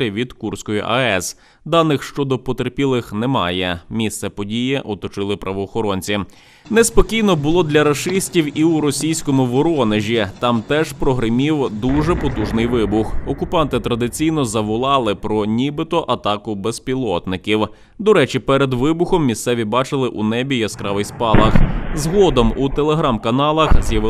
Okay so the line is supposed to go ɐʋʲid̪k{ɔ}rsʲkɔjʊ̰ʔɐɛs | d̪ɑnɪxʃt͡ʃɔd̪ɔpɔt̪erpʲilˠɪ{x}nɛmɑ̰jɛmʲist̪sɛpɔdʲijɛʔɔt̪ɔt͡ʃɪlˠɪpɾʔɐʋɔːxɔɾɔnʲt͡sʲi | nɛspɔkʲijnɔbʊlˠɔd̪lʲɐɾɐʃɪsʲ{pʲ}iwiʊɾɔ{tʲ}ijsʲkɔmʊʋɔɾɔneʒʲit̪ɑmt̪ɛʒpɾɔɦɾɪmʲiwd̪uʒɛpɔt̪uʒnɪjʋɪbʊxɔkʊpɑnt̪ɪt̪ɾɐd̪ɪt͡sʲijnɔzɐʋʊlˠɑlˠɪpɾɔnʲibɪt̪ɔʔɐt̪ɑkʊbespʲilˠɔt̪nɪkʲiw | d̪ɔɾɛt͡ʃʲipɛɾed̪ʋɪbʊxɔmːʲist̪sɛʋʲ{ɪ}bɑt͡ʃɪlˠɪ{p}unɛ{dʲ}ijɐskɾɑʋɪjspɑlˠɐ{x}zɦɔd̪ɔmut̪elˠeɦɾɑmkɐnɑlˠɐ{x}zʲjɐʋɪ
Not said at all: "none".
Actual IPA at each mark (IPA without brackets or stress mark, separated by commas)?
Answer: u, x, tʲ, sʲ, i, ʔ, bʲ, x, x